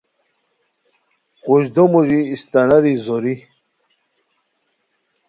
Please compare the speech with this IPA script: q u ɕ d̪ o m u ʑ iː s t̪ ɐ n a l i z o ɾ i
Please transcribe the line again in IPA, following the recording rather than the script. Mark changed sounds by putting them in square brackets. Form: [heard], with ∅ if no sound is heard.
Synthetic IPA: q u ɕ d̪ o m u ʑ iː s t̪ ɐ n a [ɾ] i z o ɾ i